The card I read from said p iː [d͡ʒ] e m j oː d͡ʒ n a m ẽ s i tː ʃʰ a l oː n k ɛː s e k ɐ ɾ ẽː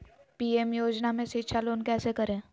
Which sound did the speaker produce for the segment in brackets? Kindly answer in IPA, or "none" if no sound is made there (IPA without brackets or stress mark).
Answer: none